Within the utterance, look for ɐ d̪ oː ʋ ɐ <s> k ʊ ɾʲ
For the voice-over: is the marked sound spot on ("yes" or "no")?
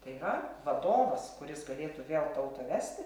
yes